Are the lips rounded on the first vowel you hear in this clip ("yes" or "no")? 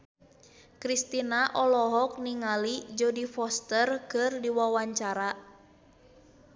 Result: no